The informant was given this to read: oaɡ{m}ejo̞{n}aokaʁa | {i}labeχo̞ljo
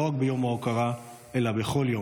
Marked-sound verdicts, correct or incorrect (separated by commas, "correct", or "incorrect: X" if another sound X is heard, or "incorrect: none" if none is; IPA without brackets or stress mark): incorrect: b, incorrect: m, incorrect: e